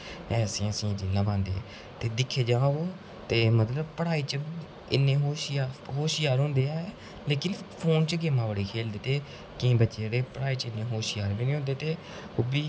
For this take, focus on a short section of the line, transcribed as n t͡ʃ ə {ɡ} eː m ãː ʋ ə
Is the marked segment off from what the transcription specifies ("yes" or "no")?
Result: no